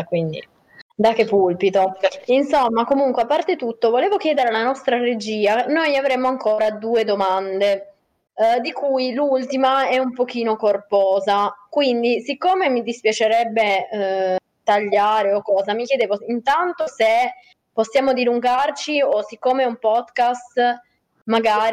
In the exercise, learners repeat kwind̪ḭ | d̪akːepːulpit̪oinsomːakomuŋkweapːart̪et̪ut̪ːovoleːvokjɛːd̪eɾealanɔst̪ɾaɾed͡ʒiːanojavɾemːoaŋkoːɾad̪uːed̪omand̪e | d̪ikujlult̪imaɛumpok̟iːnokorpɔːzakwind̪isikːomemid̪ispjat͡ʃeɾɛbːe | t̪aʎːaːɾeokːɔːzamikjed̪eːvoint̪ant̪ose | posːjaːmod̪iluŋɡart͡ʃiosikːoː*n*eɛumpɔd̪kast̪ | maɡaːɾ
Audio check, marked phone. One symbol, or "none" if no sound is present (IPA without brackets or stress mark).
m